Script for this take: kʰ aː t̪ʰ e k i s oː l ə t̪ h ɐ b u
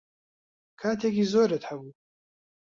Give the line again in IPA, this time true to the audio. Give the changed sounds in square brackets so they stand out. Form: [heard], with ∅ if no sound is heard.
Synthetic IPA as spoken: kʰ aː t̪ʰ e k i [z] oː [ɾ] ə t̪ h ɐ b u